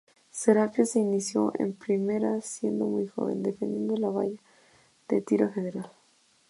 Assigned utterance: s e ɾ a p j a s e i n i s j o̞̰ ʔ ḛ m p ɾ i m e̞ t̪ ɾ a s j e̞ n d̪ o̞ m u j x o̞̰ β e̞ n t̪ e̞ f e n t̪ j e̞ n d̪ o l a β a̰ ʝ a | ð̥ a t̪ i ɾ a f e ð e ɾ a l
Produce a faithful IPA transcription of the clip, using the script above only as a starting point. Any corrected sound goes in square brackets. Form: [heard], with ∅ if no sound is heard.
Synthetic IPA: s e ɾ a p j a s e i n i s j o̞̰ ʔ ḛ m p ɾ i m e̞ [∅] ɾ a s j e̞ n d̪ o̞ m u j x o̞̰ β e̞ n [d̪] e̞ f e n [d̪] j e̞ n d̪ o l a β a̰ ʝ a | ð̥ [e] t̪ i ɾ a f e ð e ɾ a l